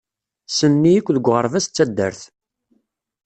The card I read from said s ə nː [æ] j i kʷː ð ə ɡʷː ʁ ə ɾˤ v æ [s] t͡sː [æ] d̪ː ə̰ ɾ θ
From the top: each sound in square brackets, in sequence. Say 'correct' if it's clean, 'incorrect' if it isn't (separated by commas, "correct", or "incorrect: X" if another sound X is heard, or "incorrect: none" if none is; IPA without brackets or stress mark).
incorrect: i, correct, correct